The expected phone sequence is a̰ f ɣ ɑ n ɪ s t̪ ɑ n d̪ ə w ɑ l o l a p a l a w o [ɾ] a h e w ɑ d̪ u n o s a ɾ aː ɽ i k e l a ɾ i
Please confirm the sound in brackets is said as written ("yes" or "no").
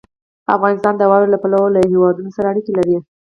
no